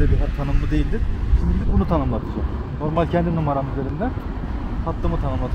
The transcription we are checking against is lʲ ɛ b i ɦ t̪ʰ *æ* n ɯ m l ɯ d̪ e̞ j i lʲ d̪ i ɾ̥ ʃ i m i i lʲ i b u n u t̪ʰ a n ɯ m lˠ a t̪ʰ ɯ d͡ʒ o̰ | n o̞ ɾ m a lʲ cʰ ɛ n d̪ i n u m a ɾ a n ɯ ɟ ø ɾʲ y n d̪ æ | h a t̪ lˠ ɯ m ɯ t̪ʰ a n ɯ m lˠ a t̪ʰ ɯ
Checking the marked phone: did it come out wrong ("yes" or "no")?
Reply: yes